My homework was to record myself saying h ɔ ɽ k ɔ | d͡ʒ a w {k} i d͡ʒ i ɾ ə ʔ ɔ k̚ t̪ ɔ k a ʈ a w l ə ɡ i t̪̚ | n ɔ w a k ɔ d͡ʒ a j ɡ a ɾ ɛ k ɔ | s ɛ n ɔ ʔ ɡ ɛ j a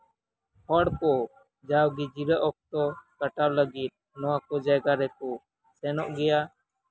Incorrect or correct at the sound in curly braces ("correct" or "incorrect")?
incorrect